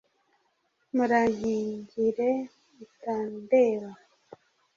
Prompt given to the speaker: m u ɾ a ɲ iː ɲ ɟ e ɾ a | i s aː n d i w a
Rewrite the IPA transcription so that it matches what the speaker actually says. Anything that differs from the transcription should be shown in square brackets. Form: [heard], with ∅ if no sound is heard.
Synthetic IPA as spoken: m u ɾ a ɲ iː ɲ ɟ [i] ɾ [e] | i [t] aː n d [e] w a